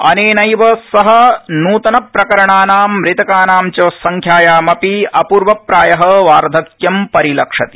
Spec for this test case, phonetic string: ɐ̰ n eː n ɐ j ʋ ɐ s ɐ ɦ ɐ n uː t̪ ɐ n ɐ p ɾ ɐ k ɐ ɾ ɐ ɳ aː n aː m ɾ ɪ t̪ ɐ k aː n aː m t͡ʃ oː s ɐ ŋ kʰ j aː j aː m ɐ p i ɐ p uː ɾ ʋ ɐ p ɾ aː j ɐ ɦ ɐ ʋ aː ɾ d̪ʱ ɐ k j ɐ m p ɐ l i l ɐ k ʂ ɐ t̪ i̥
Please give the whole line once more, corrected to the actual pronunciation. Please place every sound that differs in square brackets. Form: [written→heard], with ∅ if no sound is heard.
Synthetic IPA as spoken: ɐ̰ n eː n ɐ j ʋ ɐ s ɐ ɦ ɐ n uː t̪ ɐ n ɐ p ɾ ɐ k ɐ ɾ ɐ ɳ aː n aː m ɾ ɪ t̪ ɐ k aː n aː m t͡ʃ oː s ɐ ŋ kʰ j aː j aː m ɐ p i ɐ p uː ɾ ʋ ɐ p ɾ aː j ɐ ɦ ɐ ʋ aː ɾ d̪ʱ ɐ k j ɐ m p ɐ [l→ɾ] i l ɐ k ʂ ɐ t̪ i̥